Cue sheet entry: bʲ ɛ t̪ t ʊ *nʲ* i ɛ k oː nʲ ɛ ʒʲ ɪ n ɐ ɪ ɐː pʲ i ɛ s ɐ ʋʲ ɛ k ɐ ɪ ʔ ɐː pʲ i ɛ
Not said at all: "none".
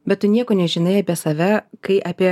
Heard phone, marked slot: nʲ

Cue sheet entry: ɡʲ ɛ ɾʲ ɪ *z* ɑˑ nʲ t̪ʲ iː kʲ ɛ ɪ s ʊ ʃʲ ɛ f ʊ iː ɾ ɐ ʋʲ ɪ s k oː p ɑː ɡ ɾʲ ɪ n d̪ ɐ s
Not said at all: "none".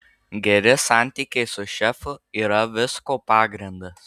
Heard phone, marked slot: s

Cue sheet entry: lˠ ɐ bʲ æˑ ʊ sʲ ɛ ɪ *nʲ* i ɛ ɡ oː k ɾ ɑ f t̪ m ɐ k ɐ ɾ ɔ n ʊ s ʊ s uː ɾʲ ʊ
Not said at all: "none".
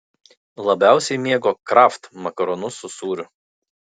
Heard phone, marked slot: mʲ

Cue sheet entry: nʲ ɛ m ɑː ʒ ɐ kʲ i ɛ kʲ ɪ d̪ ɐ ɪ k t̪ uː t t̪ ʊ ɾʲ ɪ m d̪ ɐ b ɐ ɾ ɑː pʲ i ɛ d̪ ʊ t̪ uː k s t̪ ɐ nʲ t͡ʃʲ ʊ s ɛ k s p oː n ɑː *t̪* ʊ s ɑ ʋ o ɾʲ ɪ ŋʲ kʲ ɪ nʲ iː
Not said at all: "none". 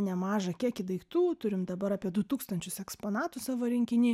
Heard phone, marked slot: t̪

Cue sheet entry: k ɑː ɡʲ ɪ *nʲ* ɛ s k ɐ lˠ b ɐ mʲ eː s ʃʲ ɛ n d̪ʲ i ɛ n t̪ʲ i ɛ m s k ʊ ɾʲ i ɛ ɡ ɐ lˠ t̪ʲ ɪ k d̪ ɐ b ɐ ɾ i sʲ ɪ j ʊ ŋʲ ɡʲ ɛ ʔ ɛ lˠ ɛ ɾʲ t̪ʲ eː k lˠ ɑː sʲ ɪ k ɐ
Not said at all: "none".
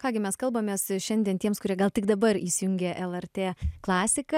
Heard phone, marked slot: mʲ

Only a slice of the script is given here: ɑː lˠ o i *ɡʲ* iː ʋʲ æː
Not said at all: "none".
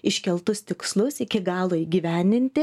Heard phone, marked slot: ɡʲ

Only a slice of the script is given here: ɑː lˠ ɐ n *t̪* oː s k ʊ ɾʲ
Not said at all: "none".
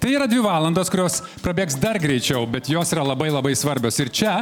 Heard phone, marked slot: d̪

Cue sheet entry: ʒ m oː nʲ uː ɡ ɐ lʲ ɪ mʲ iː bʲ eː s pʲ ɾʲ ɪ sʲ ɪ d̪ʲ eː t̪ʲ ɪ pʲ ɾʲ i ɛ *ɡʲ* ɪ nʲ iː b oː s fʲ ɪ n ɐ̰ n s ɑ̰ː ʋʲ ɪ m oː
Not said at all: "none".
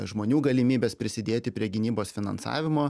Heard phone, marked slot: ɡʲ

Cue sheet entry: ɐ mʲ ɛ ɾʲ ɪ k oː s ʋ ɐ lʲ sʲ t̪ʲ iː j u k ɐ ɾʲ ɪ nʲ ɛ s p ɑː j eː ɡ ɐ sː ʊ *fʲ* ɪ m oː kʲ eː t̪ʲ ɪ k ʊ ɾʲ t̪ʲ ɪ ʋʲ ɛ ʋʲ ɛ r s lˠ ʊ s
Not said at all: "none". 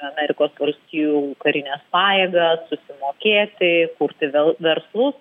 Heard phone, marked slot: sʲ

